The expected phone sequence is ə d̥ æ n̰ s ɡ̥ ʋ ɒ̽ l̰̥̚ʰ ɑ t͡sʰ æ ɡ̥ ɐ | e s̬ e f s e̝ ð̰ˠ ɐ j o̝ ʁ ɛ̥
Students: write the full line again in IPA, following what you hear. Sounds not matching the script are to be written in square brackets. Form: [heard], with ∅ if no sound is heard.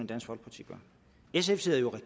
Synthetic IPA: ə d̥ æ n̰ s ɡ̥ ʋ ɒ̽ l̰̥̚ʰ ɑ t͡sʰ [i] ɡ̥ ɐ | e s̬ e f s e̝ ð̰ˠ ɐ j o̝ ʁ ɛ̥

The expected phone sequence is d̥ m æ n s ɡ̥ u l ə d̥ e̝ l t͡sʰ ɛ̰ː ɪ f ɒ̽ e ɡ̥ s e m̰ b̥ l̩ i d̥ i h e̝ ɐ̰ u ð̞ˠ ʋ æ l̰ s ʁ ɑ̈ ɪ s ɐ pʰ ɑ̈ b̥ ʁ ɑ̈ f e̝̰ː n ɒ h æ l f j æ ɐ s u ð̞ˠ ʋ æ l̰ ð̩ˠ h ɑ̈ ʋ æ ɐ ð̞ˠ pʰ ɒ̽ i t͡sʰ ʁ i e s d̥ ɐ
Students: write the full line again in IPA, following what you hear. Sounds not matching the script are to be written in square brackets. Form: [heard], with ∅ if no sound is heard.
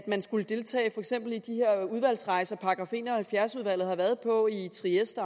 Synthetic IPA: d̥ m æ n s ɡ̥ u l ə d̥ e̝ l t͡sʰ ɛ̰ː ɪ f ɒ̽ e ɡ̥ s e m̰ b̥ l̩ i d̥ i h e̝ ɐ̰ u ð̞ˠ ʋ æ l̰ s ʁ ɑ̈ ɪ s ɐ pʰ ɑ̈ [ɡ̥] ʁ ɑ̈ f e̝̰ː n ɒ h æ l f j æ ɐ s u ð̞ˠ ʋ æ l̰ ð̩ˠ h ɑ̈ ʋ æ ɐ ð̞ˠ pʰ ɒ̽ i t͡sʰ ʁ i e s d̥ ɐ

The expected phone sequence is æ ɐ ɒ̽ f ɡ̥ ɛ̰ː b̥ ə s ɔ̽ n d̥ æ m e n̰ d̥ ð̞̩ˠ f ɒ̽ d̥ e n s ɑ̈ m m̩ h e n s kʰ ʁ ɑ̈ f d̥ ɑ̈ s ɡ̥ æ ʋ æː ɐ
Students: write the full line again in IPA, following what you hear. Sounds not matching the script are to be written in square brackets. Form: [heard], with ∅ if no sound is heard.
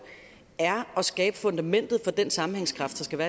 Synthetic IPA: æ ɐ ɒ̽ [s] ɡ̥ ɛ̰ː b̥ ə [f] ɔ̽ n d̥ æ m e n̰ d̥ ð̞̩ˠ f ɒ̽ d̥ e n s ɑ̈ m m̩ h e [ŋ] s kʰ ʁ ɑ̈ f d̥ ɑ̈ s ɡ̥ æ ʋ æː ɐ

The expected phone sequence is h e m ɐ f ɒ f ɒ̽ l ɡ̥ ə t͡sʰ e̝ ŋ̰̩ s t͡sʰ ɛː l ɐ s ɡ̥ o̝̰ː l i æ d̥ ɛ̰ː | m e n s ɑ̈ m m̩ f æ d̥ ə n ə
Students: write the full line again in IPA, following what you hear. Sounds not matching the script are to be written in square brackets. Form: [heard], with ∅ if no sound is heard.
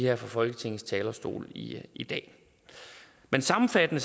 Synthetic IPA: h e [∅] ɐ f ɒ f ɒ̽ l ɡ̥ ə t͡sʰ e̝ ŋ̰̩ s t͡sʰ ɛː l ɐ s [d̥] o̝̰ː l i [i] d̥ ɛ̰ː | m e n s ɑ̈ m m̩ f æ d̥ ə n ə

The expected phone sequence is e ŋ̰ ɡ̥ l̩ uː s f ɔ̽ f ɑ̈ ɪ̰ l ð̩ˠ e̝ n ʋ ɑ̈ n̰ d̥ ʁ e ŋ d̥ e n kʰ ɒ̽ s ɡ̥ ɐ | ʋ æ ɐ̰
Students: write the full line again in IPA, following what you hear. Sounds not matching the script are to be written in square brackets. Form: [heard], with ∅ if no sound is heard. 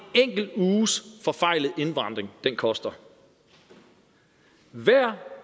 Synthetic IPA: e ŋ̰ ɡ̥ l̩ uː s f [ɒ̽] f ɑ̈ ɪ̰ l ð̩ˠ e̝ n ʋ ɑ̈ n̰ d̥ ʁ e ŋ d̥ e n kʰ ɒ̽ s [d̥] ɐ | ʋ æ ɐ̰

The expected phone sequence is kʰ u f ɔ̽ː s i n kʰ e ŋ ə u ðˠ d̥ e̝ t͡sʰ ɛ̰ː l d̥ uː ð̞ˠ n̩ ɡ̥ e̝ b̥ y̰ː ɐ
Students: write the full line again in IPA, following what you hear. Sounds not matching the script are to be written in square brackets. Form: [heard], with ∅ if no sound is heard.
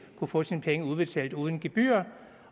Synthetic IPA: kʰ u f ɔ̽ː s i n [pʰ] e ŋ ə u ðˠ [b̥] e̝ t͡sʰ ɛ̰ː l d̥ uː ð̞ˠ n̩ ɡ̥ e̝ b̥ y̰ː ɐ

